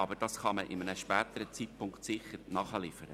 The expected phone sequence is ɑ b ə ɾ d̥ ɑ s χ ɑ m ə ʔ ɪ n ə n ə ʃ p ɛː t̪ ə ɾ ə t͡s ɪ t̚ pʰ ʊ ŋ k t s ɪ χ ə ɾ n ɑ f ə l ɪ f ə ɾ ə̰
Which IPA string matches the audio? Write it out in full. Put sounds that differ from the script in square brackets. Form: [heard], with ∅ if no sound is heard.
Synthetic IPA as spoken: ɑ b ə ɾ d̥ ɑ s χ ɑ m ə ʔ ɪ [m] ə n ə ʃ p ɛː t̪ ə ɾ ə t͡s [i] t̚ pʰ ʊ ŋ k t s ɪ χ ə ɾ n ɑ [χ] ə l ɪ f ə ɾ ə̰